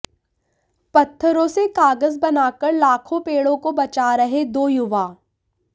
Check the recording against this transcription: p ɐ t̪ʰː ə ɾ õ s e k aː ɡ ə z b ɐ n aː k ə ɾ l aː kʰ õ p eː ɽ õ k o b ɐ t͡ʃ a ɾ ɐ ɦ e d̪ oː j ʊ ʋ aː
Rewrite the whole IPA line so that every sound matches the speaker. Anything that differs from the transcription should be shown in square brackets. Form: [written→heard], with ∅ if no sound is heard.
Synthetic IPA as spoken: p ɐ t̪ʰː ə ɾ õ s e k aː ɡ ə z b ɐ n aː k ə ɾ l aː kʰ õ p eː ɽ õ k o b ɐ t͡ʃ a ɾ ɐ ɦ e d̪ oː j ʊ ʋ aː